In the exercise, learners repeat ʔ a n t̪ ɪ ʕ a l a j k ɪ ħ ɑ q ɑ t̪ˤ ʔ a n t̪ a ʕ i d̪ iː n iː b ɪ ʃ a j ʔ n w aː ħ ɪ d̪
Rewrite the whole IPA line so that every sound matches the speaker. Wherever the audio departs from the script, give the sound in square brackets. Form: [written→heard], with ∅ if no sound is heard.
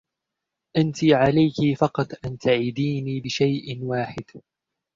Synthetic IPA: ʔ a n t̪ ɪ ʕ a l a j k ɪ [ħ→f] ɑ q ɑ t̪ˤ ʔ a n t̪ a ʕ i d̪ iː n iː b ɪ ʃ a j ʔ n w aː ħ ɪ d̪